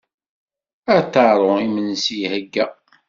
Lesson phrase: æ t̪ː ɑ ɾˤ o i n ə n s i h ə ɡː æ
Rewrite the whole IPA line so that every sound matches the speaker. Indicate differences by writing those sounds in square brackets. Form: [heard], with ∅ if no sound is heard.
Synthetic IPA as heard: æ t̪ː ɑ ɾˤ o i [m] ə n s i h ə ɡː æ